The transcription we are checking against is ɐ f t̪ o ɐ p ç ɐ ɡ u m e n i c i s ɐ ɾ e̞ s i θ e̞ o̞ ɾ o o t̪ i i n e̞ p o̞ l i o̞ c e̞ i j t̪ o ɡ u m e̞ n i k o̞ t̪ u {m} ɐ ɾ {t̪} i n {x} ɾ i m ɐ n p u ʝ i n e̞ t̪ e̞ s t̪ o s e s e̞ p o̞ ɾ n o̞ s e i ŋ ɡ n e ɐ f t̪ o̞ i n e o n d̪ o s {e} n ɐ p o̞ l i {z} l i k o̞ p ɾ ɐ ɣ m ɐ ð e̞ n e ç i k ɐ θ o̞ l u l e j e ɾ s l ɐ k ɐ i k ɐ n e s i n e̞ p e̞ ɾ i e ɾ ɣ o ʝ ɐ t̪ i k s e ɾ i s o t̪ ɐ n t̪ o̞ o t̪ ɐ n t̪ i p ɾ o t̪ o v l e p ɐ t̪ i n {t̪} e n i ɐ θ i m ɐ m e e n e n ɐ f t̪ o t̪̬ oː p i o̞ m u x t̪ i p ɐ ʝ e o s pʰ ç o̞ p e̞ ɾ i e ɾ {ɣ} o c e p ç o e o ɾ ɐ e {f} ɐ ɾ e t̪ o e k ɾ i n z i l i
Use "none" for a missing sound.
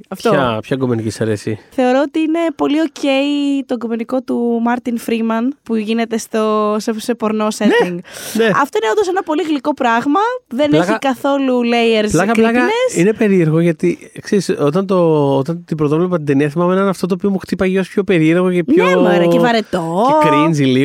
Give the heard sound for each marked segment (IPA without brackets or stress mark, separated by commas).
m, t̪, f, e, ɣ, d̪, ɣ, v